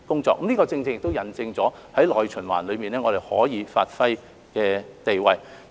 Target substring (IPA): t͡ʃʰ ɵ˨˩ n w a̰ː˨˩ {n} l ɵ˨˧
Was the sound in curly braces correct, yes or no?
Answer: yes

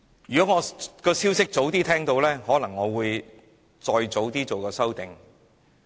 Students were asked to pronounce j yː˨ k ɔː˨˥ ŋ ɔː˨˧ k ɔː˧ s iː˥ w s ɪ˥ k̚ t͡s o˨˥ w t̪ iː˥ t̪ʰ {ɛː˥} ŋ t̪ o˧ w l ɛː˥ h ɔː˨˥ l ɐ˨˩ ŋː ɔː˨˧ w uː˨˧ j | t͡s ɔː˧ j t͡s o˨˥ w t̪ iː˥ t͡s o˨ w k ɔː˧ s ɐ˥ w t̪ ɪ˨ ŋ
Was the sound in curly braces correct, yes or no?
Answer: yes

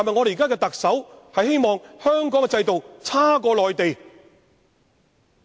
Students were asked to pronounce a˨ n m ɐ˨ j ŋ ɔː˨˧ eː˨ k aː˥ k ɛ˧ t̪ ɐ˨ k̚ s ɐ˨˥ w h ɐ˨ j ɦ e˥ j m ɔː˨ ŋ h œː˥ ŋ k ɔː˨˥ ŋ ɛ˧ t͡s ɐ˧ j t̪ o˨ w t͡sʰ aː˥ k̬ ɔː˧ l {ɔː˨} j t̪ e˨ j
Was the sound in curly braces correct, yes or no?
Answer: yes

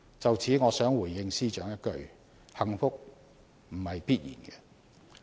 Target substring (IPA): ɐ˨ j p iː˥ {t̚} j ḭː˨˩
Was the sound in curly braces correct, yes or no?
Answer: yes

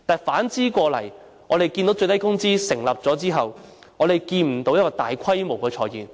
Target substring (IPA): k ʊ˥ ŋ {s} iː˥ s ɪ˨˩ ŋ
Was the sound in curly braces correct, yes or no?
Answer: no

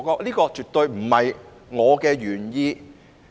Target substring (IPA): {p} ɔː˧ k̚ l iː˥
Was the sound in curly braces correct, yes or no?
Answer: no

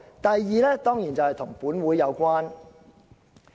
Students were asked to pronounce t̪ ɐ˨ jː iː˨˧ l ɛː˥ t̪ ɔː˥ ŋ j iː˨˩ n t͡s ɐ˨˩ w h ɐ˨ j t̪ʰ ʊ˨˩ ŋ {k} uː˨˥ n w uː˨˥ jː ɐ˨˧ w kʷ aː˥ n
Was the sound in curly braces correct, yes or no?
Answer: no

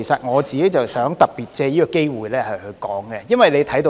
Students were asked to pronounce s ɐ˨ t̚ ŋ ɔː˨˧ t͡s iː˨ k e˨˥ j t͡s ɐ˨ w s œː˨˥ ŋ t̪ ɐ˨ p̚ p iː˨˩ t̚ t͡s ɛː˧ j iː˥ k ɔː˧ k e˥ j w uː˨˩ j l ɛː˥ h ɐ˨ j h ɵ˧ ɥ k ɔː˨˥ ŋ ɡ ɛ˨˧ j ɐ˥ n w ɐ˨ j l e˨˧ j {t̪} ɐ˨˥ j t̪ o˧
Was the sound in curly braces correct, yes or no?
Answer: no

